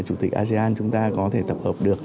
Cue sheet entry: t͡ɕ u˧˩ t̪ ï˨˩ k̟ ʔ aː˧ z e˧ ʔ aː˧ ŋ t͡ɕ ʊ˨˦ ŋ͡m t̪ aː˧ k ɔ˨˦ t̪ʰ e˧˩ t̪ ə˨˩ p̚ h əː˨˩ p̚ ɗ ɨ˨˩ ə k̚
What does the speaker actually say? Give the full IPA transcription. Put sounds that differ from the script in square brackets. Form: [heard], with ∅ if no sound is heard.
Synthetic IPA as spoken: t͡ɕ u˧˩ t̪ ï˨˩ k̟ ʔ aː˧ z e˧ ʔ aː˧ [n] t͡ɕ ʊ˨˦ ŋ͡m t̪ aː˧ k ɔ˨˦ t̪ʰ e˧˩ t̪ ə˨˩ p̚ h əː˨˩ p̚ ɗ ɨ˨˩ ə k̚